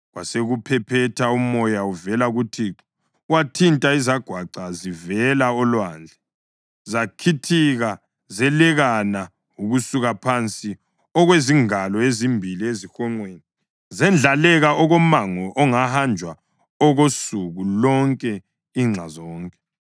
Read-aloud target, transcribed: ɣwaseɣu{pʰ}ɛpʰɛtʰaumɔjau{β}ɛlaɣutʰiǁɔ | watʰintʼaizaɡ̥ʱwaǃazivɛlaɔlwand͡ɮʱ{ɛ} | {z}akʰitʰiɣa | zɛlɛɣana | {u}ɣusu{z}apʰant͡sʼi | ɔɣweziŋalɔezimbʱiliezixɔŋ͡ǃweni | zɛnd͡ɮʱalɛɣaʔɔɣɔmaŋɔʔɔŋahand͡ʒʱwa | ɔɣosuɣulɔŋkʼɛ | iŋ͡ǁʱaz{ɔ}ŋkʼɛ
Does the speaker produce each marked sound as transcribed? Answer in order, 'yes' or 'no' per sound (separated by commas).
yes, no, yes, yes, yes, no, no